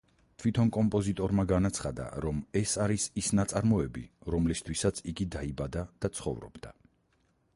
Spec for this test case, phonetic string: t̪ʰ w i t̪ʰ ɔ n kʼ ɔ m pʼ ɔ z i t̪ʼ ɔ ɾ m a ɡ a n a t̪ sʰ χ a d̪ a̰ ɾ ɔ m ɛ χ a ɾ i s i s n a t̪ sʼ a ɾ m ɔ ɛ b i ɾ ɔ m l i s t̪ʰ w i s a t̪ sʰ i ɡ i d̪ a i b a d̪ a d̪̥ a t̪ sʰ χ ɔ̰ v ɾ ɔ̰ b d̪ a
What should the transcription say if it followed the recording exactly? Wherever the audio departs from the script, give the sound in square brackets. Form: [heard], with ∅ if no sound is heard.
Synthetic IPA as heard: t̪ʰ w i t̪ʰ ɔ n kʼ ɔ m pʼ ɔ z i t̪ʼ ɔ ɾ m a ɡ a n a t̪ sʰ χ a d̪ a̰ ɾ ɔ m ɛ [s] a ɾ i s i s n a t̪ sʼ a ɾ m ɔ ɛ b i ɾ ɔ m l i s t̪ʰ w i s a t̪ sʰ i ɡ i d̪ a i b a d̪ a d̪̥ a t̪ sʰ χ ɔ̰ v ɾ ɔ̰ b d̪ a